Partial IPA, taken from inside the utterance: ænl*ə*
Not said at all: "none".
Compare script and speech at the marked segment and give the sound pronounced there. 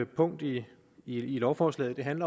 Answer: ɐ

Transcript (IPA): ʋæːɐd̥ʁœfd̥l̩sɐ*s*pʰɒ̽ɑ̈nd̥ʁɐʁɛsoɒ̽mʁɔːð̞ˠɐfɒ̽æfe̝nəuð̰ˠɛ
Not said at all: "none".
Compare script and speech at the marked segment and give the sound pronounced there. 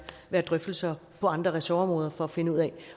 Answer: none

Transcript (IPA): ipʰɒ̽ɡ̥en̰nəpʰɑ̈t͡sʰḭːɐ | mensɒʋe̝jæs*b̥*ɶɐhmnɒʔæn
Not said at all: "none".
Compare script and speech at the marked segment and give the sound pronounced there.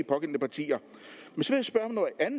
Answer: b̥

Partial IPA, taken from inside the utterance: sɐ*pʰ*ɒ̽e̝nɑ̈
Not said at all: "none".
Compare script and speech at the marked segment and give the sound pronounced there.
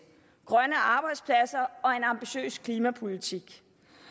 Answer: none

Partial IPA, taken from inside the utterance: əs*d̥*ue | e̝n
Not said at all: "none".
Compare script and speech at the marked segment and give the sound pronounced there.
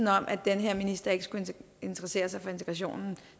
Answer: ɡ̥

